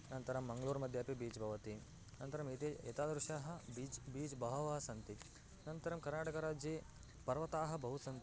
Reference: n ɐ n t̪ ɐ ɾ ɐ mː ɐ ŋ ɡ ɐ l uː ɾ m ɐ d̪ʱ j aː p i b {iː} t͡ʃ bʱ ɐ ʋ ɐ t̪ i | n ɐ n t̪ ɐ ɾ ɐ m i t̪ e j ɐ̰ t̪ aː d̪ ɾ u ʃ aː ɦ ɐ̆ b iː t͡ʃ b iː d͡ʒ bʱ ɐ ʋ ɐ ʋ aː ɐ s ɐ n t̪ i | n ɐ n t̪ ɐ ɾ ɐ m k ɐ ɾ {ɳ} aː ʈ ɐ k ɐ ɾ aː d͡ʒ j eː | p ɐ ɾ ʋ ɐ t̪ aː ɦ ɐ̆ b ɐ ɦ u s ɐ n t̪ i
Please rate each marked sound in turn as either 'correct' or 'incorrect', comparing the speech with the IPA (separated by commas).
correct, incorrect